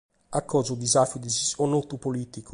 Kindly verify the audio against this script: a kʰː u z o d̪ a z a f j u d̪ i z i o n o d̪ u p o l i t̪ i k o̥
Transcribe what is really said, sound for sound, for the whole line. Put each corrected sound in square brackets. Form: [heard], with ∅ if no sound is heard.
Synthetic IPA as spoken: a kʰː [ɔ] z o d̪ [i] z a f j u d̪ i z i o n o [t̪] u p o l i t̪ i k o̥